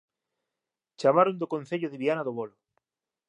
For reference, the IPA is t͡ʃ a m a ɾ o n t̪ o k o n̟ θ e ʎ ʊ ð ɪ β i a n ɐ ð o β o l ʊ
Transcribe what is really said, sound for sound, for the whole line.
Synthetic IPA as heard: t͡ʃ a m a ɾ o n d̪ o k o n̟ θ e ʎ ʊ ð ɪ β i a n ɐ ð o β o l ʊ